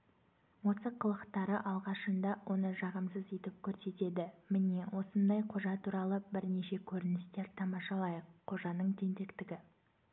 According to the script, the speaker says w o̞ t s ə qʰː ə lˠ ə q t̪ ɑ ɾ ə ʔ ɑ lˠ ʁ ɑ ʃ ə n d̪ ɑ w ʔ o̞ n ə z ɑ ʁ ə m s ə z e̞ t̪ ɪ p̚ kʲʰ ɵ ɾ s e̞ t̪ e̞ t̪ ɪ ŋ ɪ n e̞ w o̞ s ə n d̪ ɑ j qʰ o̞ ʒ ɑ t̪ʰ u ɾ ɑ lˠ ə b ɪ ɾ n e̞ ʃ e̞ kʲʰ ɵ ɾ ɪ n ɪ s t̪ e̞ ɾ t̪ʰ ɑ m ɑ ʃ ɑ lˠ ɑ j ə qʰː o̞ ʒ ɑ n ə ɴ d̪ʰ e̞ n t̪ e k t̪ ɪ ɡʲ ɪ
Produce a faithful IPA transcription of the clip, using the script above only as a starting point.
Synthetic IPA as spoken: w o̞ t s ə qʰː ə lˠ ə q t̪ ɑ ɾ ə ʔ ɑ lˠ ʁ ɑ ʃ ə n d̪ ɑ w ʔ o̞ n ə ʒ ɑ ʁ ə m s ə z e̞ t̪ ɪ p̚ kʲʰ ɵ ɾ s e̞ t̪ e̞ d̪ ɪ m ɪ n e̞ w o̞ s ə n d̪ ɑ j qʰ o̞ ʒ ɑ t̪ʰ u ɾ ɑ lˠ ə b ɪ ɾ n e̞ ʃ e̞ kʲʰ ɵ ɾ ɪ n ɪ s t̪ e̞ ɾ t̪ʰ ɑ m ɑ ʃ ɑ lˠ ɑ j ə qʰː o̞ ʒ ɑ n ə ɴ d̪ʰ e̞ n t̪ e k t̪ ɪ ɡʲ ɪ